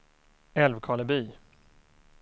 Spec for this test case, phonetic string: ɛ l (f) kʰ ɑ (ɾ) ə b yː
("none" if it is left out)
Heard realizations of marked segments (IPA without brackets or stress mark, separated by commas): v, l